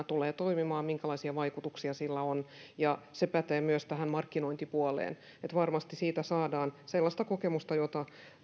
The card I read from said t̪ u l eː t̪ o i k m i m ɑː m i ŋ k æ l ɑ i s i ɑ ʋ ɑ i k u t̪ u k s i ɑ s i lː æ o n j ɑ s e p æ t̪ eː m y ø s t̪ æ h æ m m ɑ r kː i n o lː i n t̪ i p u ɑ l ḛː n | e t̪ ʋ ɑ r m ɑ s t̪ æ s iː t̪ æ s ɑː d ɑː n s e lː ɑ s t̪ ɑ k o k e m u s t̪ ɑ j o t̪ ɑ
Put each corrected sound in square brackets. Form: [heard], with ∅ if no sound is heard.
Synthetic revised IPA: t̪ u l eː t̪ o i [∅] m i m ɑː m i ŋ k æ l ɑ i s i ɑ ʋ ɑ i k u t̪ u k s i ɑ s i lː æ o n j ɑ s e p æ t̪ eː m y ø s t̪ æ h æ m m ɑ r kː i n o [∅] i n t̪ i p u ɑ l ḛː n | e t̪ ʋ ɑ r m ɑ s t̪ [i] s iː t̪ æ s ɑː d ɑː n s e lː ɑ s t̪ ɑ k o k e m u s t̪ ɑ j o t̪ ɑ